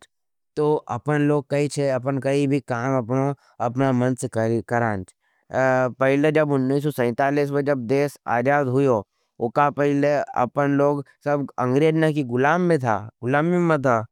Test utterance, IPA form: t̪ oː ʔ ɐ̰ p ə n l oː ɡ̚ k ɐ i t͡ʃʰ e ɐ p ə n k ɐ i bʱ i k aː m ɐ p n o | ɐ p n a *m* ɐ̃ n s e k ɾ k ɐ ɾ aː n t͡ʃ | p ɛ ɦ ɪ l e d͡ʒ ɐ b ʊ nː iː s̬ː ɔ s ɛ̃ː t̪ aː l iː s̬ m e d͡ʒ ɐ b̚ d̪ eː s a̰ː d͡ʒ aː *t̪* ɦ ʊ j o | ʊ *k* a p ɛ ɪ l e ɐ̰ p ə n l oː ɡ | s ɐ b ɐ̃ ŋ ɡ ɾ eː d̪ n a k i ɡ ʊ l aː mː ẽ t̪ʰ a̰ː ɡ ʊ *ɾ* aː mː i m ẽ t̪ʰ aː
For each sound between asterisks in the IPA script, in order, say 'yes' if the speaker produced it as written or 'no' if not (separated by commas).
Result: yes, no, yes, no